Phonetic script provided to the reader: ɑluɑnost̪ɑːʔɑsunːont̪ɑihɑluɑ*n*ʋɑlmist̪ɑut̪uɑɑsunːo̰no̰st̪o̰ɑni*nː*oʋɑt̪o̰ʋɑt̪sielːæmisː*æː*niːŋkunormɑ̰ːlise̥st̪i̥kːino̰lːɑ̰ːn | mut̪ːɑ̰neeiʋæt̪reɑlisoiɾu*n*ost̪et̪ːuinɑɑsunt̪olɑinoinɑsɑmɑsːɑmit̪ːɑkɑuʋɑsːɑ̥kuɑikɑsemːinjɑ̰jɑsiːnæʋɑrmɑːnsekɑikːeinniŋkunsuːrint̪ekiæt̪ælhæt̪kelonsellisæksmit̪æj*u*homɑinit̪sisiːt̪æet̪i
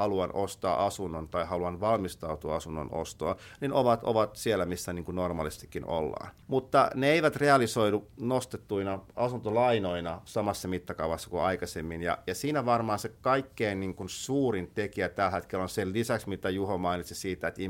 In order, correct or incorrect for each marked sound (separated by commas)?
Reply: correct, incorrect, incorrect, correct, correct